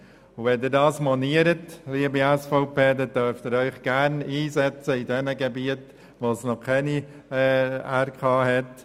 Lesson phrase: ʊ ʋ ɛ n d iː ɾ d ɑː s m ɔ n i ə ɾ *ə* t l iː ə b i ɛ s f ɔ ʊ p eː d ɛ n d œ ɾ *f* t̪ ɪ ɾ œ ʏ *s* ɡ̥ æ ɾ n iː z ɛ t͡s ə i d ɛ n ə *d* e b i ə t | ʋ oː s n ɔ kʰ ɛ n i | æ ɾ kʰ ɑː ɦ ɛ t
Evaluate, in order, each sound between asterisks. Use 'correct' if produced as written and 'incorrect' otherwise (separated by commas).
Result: correct, correct, incorrect, incorrect